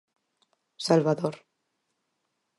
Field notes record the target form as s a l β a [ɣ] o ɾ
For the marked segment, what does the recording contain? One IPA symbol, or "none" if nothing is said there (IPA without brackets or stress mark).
ð